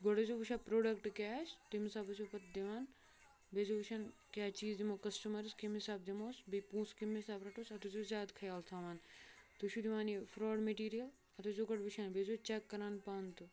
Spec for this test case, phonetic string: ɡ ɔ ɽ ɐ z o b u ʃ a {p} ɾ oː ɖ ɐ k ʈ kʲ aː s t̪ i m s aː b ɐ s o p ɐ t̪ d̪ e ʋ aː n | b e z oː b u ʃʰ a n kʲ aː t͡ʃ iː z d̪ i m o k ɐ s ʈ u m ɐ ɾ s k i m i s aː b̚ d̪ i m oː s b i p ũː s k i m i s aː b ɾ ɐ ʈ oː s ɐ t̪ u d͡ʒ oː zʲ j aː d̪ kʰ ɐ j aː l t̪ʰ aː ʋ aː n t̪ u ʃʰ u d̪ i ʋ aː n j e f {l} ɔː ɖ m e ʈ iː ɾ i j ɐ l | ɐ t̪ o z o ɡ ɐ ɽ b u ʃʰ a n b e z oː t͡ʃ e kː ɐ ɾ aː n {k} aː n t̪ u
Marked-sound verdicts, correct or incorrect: correct, incorrect: ɾ, incorrect: p

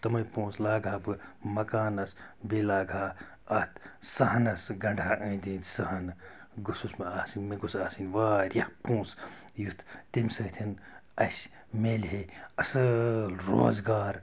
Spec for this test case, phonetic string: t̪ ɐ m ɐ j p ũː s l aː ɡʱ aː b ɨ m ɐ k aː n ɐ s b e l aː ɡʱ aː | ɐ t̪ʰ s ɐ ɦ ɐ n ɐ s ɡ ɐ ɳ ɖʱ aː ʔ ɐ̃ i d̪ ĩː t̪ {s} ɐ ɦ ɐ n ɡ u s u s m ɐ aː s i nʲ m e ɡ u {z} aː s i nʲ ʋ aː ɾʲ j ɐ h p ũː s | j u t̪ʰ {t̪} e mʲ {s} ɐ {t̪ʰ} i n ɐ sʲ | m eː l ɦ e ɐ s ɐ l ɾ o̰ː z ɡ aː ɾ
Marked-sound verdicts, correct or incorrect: correct, incorrect: s, correct, correct, correct

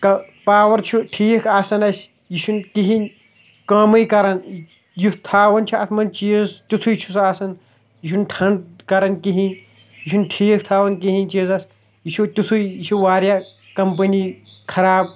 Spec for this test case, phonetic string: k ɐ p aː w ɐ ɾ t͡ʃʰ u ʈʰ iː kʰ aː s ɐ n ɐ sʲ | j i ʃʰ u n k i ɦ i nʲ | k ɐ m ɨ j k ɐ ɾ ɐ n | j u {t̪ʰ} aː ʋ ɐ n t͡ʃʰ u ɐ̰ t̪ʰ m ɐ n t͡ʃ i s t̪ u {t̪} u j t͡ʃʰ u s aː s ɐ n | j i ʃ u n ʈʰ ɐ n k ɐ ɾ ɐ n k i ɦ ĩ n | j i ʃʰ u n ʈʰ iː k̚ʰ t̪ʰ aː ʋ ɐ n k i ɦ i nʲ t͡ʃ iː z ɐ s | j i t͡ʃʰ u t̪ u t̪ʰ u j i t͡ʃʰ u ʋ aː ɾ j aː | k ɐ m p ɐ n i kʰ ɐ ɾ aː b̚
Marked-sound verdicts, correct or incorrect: correct, incorrect: t̪ʰ

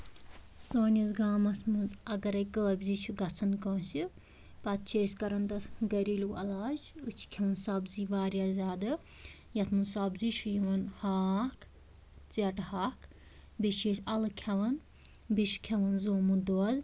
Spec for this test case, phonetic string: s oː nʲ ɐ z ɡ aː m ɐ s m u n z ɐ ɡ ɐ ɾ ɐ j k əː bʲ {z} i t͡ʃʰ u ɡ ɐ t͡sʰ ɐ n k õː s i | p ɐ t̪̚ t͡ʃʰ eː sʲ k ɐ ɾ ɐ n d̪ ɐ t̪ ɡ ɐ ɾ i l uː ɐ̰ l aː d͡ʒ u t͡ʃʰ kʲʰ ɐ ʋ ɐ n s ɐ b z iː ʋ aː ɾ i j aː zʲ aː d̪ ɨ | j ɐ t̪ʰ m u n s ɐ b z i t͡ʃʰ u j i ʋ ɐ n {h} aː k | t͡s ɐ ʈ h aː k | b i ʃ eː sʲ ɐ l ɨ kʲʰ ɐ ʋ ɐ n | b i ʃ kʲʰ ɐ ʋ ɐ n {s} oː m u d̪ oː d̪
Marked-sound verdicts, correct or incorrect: correct, correct, incorrect: z

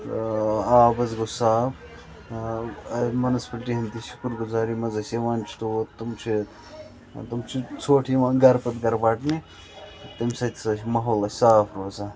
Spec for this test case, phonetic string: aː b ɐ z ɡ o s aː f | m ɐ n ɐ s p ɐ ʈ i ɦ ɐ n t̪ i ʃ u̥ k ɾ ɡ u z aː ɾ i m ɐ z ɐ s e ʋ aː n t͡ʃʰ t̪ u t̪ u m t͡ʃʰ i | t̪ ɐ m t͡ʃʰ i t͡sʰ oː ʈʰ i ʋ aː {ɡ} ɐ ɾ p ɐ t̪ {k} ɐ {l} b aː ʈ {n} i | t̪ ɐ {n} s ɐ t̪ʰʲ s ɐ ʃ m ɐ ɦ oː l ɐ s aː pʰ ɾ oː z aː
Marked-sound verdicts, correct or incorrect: correct, incorrect: ɡ, incorrect: ɾ, correct, incorrect: m

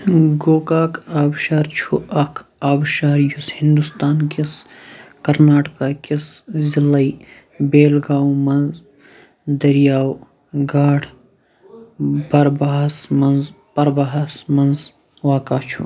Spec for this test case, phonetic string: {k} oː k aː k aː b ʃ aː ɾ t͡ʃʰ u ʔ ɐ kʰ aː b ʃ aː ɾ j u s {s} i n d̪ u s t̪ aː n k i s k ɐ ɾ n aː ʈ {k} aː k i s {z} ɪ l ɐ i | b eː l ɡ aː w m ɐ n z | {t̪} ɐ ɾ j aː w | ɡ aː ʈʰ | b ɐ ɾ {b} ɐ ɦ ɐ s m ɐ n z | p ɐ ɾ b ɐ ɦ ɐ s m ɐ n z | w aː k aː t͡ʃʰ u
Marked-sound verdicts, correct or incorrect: incorrect: ɡ, incorrect: h, correct, correct, incorrect: d̪, correct

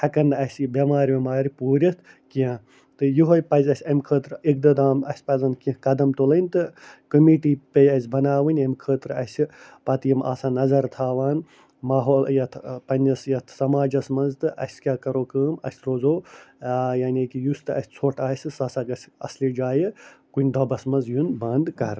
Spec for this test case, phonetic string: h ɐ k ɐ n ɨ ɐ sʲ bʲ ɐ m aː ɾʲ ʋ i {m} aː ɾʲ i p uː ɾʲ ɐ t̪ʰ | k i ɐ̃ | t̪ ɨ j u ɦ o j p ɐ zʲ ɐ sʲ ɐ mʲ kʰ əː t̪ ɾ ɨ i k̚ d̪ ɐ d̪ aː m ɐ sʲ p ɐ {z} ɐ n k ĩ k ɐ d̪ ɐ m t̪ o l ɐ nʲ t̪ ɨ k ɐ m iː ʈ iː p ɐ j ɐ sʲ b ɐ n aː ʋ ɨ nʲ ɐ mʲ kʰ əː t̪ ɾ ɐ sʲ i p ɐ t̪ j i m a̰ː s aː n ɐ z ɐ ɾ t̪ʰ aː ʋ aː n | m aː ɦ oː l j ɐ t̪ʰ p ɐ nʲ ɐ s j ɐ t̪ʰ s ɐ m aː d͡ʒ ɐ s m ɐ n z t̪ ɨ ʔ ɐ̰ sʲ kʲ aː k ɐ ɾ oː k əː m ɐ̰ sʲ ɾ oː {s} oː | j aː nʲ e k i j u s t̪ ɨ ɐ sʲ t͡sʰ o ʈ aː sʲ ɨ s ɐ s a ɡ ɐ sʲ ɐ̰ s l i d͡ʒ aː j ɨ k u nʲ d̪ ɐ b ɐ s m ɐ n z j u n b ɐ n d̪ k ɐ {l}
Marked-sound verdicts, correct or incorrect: correct, correct, incorrect: z, incorrect: ɾ

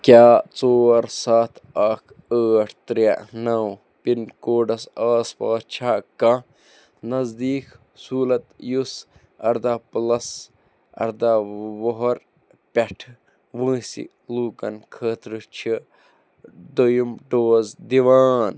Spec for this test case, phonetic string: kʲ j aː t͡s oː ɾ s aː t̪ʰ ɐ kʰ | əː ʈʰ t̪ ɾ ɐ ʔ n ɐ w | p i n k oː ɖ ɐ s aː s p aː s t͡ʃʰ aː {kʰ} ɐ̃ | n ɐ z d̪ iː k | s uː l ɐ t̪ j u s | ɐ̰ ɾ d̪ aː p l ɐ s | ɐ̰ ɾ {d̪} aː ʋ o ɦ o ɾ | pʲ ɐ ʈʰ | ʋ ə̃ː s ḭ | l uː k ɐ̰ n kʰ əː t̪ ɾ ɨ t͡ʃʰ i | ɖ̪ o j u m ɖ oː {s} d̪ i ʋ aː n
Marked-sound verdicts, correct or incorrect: incorrect: k, correct, incorrect: z

